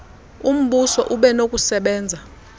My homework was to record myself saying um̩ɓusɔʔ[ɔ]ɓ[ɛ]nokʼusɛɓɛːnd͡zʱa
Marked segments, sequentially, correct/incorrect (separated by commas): incorrect, correct